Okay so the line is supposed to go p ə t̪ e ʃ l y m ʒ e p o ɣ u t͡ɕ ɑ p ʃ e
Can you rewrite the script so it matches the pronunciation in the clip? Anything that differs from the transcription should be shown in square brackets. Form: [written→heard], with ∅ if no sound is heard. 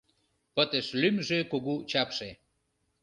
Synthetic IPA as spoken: p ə t̪ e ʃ l y m ʒ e [p→k] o ɣ u t͡ɕ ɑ p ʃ e